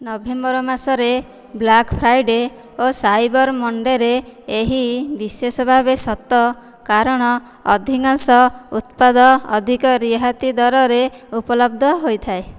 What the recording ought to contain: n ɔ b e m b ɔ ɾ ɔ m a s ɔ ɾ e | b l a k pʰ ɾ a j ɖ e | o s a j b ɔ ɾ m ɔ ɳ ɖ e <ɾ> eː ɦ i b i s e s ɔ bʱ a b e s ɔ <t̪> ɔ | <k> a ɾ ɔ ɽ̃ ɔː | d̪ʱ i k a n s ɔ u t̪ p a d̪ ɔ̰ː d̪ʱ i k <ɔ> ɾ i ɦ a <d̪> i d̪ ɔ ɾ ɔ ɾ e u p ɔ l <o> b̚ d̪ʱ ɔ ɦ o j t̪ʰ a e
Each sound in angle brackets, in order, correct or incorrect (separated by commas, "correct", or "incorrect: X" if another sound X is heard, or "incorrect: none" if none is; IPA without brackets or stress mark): correct, correct, correct, correct, incorrect: t̪, incorrect: ɔ